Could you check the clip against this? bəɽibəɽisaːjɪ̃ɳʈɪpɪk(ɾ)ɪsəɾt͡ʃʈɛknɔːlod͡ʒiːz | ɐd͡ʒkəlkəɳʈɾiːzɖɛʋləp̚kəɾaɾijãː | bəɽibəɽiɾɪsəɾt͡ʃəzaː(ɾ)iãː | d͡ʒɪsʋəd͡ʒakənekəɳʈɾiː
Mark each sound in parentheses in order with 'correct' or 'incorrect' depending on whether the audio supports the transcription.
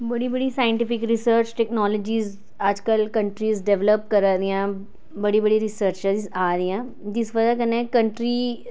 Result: correct, correct

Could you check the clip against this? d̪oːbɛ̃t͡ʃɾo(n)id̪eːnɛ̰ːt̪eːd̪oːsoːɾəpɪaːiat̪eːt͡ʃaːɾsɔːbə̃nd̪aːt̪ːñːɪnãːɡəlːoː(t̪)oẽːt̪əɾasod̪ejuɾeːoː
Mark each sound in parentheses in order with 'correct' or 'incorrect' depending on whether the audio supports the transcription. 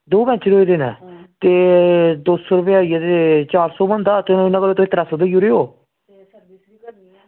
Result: incorrect, correct

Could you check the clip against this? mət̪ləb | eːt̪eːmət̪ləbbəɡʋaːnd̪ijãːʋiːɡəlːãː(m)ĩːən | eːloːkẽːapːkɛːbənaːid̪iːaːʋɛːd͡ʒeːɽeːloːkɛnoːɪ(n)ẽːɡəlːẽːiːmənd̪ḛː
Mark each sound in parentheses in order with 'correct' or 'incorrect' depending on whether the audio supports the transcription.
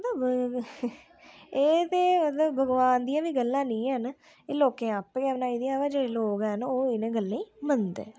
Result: incorrect, correct

